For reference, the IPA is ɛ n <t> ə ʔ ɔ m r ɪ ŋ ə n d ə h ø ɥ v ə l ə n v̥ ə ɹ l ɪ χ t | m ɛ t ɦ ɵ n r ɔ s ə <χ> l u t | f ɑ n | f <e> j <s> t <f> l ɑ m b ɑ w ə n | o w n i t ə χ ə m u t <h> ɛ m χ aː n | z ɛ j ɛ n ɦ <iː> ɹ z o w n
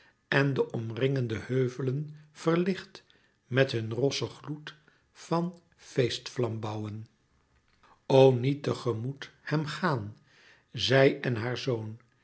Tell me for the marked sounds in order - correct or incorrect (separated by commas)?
incorrect, correct, correct, correct, correct, correct, incorrect